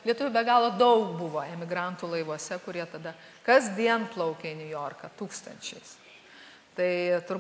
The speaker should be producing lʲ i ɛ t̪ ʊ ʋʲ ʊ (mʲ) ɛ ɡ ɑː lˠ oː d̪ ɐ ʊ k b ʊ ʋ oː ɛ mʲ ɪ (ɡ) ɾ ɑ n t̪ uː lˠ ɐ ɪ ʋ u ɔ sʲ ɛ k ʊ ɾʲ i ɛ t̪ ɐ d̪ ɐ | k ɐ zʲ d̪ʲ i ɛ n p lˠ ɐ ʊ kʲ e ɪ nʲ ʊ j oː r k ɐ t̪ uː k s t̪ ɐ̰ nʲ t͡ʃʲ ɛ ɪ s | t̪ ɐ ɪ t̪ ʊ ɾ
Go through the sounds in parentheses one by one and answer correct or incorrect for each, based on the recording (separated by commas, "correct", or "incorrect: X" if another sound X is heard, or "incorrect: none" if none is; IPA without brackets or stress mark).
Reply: incorrect: bʲ, correct